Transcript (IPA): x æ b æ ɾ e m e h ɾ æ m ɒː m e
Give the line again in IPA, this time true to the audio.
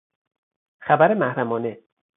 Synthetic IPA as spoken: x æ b æ ɾ e m æ h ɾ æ m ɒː n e